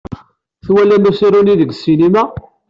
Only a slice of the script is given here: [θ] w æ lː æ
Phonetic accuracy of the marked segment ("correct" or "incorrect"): correct